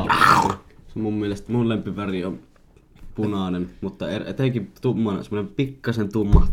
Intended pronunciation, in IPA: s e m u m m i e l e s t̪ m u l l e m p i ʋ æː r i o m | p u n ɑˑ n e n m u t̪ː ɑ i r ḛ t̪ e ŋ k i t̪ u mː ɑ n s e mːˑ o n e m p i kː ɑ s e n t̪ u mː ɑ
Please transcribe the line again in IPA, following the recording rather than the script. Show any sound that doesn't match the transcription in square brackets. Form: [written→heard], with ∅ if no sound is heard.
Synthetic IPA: s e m u m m i e l e s t̪ m u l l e m p i ʋ [æː→æ] r i o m | p u n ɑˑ n e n m u t̪ː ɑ [i→e] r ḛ t̪ e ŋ k i t̪ u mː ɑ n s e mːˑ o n e m p i kː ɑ s e n t̪ u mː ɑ